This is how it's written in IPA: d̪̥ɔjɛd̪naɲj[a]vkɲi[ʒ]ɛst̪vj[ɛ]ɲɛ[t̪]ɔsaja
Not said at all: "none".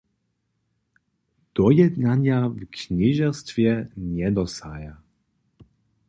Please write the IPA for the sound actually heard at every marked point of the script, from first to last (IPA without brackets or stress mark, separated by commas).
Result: a, ʒ, ɛ, d̪